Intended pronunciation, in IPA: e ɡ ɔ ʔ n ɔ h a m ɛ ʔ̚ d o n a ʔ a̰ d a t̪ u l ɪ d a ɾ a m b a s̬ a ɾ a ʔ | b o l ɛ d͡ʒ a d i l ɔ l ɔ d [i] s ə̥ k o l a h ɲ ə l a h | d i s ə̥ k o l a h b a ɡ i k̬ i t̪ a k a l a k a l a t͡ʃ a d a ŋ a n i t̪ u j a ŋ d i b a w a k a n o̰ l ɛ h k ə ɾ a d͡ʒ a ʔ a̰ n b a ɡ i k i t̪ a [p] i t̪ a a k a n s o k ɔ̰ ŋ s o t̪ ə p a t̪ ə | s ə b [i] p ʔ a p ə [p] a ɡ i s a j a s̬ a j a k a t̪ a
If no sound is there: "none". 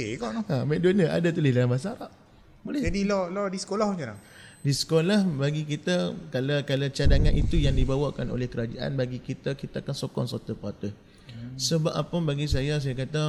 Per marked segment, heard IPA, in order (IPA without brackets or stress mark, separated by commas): i, k, a, b